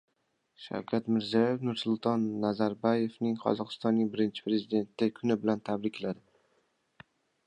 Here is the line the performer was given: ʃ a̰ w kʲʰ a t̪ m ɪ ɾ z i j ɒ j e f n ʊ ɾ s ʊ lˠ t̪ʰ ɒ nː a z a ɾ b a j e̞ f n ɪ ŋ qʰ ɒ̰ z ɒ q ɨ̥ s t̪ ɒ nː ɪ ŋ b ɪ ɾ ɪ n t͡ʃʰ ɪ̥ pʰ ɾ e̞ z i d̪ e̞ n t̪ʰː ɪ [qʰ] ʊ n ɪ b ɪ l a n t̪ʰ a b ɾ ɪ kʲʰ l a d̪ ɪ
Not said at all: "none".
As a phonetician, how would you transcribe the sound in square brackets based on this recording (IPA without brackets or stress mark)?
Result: kʰ